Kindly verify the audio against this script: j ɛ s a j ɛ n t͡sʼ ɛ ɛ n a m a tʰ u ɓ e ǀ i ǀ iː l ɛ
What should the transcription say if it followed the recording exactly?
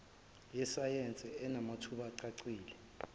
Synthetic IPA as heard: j ɛ s a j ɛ n t͡sʼ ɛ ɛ n a m a tʰ u ɓ a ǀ a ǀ iː l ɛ